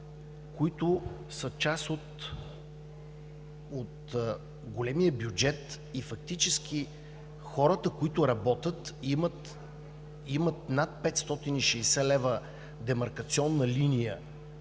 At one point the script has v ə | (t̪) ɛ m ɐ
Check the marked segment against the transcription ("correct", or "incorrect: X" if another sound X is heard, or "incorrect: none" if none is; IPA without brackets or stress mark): incorrect: d̪